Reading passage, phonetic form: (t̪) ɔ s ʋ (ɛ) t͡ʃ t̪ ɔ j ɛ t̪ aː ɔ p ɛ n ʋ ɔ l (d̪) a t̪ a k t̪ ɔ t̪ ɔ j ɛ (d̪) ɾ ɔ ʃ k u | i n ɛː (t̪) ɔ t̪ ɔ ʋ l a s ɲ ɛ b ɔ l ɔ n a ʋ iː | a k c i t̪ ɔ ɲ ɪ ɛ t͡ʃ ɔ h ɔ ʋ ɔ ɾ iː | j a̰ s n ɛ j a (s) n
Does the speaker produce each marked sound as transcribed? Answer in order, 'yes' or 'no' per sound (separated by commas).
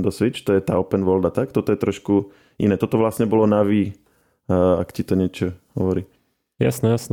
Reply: no, no, yes, no, yes, yes